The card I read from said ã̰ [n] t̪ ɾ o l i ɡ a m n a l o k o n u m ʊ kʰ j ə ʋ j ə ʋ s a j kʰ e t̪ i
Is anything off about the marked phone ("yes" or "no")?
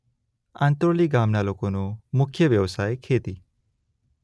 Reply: no